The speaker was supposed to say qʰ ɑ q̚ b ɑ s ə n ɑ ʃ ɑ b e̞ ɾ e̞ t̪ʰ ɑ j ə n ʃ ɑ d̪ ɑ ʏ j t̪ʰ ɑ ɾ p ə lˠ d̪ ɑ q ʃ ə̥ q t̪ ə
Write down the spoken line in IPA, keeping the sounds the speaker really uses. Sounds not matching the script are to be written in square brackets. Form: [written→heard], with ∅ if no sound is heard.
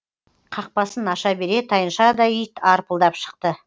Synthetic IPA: qʰ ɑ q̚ [b→p] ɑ s ə n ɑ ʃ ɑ b e̞ ɾ e̞ t̪ʰ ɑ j ə n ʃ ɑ d̪ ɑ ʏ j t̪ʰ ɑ ɾ p ə lˠ d̪ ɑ [q→p] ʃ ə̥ q t̪ ə